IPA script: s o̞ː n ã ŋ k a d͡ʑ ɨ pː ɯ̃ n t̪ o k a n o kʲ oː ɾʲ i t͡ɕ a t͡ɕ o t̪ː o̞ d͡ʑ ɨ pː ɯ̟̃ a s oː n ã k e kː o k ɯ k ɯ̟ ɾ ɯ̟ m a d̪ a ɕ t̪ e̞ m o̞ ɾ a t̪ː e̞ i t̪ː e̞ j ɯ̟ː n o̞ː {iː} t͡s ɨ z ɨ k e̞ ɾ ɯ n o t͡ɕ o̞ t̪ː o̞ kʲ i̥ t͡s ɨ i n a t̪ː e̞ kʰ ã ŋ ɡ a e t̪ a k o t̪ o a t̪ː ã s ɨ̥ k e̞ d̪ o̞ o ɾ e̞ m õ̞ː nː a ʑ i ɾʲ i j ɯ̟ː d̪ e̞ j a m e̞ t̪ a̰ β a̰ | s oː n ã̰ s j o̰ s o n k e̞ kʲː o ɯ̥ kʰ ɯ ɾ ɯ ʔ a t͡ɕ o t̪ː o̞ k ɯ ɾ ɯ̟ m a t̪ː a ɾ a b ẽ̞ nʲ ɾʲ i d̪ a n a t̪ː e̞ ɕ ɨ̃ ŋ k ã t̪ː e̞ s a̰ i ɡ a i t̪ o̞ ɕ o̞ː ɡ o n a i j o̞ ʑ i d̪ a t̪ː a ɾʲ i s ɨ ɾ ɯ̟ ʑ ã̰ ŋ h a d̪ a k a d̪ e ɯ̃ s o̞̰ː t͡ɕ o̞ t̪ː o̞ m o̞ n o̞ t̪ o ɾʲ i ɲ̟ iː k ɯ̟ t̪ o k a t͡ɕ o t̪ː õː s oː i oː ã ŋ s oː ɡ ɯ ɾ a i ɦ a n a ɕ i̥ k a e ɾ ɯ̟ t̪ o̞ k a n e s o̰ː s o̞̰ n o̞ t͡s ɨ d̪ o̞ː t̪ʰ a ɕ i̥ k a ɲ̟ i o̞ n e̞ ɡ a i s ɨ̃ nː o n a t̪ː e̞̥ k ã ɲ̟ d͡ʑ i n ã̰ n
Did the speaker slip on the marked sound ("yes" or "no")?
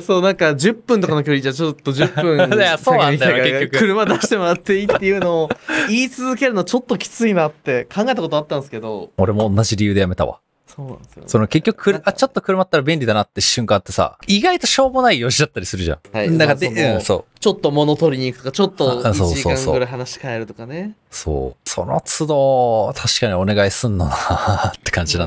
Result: no